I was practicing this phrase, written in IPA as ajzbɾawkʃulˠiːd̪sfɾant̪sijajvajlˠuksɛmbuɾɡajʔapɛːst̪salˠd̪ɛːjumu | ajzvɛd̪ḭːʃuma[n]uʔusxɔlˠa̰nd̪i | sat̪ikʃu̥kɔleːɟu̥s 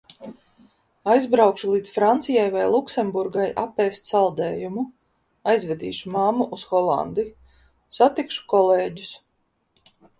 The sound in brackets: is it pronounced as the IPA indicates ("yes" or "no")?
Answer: no